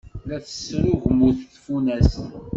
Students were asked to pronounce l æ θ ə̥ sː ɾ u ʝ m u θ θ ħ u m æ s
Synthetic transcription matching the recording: l æ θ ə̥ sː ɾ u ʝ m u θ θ f u n æ s